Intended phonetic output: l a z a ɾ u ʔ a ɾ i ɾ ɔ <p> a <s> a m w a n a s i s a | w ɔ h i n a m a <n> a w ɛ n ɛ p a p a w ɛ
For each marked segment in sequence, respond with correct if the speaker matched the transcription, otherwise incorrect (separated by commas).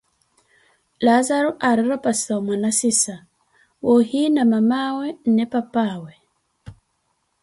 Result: correct, correct, incorrect